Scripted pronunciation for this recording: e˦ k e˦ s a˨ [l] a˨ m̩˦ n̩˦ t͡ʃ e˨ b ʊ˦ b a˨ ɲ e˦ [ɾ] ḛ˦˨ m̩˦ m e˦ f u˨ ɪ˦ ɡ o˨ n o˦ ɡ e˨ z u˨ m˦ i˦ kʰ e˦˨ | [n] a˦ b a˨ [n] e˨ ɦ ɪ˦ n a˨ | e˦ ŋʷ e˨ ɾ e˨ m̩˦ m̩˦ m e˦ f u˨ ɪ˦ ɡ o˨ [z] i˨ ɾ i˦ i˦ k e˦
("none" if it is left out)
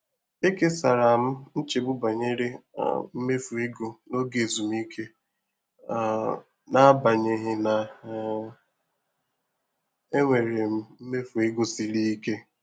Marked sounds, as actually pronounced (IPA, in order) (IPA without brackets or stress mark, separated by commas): ɾ, ɾ, n, ɲ, s